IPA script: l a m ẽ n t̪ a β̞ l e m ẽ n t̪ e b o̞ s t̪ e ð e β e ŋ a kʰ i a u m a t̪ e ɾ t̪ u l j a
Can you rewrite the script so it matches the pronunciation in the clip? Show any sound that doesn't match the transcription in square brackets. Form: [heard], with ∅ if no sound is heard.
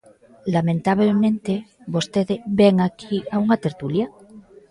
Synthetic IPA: l a m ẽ n t̪ a β̞ l e m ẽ n t̪ e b o̞ s t̪ e ð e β e ŋ a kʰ i a u [ŋ] a t̪ e ɾ t̪ u l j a

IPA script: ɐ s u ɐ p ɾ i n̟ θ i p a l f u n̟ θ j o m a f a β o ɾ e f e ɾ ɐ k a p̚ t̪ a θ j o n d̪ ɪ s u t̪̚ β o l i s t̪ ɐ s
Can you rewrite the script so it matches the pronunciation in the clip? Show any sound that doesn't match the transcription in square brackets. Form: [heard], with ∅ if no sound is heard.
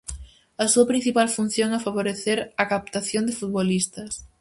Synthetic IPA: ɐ s u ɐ p ɾ i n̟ θ i p a l f u n̟ θ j o [ŋ] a f a β o ɾ e [θ] e ɾ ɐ k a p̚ t̪ a θ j o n d̪ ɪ [f] u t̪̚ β o l i s t̪ ɐ s

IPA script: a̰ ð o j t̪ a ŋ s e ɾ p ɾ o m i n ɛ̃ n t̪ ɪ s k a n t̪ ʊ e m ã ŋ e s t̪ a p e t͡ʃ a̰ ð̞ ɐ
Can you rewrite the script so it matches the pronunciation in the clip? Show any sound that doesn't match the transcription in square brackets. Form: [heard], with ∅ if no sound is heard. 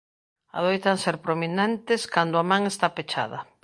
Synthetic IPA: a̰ ð o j t̪ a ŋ s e ɾ p ɾ o m i n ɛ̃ n t̪ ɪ s k a n [d̪] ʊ [a] m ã ŋ e s t̪ a p e t͡ʃ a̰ ð̞ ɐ

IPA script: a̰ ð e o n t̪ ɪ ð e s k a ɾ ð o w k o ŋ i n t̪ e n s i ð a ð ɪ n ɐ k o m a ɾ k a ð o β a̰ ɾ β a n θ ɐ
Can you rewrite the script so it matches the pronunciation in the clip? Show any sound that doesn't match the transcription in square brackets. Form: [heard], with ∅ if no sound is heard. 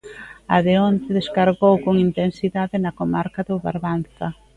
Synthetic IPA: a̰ ð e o n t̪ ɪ ð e s k a ɾ [ɣ] o w k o ŋ i n t̪ e n s i ð a ð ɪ n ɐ k o m a ɾ k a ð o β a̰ ɾ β a n θ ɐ

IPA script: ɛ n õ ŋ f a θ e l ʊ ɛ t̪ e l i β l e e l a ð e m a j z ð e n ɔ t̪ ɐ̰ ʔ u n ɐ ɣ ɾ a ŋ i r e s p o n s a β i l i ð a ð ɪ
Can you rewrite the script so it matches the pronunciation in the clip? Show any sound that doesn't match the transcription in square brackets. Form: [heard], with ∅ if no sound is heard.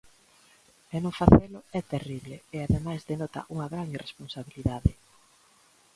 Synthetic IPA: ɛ n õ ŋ f a θ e l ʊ ɛ t̪ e [r] i β l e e [∅] a ð e m a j z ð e n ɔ t̪ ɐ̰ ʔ u [ŋ] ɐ ɣ ɾ a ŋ i r e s p o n s a β i l i ð a ð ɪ

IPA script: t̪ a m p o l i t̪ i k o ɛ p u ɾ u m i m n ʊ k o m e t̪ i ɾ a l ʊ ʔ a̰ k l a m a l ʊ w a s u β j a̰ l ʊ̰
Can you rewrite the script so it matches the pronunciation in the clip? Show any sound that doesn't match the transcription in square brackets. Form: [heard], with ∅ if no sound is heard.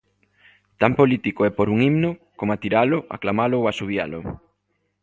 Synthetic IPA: t̪ a m p o l i t̪ i k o ɛ p [o] ɾ u [ŋ] i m n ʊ k o m [a] t̪ i ɾ a l ʊ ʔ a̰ k l a m a l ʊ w a s u β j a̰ l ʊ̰

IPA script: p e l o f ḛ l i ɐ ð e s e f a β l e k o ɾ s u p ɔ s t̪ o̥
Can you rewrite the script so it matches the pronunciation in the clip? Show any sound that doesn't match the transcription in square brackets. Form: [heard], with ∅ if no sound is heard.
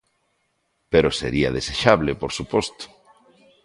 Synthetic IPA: p e [ɾ] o [s] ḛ [ɾ] i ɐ ð e s e [ʃ] a β l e [p] o ɾ s u p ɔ s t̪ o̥

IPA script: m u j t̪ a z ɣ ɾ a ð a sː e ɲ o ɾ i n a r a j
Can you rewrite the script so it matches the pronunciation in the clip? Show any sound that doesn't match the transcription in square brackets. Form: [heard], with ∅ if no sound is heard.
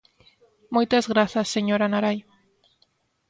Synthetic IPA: m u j t̪ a z ɣ ɾ a [θ] a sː e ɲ o ɾ [a] n a [ɾ] a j

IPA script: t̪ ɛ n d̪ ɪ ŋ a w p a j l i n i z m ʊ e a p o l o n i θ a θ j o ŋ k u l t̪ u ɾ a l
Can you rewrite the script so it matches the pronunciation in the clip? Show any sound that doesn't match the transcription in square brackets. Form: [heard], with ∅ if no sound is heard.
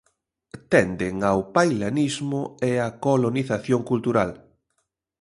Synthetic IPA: t̪ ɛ n d̪ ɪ ŋ a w p a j l [a] n i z m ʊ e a [k] o l o n i θ a θ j o ŋ k u l t̪ u ɾ a l

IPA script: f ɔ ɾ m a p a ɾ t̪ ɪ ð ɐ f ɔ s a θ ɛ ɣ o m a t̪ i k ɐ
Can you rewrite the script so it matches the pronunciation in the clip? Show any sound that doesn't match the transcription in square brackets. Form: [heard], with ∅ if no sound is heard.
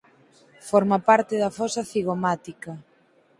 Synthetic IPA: f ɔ ɾ m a p a ɾ t̪ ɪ ð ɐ f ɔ s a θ [i] ɣ o m a t̪ i k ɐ

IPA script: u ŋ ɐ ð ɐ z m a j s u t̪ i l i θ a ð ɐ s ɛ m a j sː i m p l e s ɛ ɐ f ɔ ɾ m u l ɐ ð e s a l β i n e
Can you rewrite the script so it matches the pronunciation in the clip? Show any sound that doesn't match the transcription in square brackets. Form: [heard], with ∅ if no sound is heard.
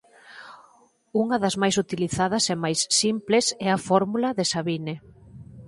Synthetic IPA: u ŋ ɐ ð ɐ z m a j s u t̪ i l i θ a ð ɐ s ɛ m a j sː i m p l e s ɛ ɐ f ɔ ɾ m u l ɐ ð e s a [∅] β i n e

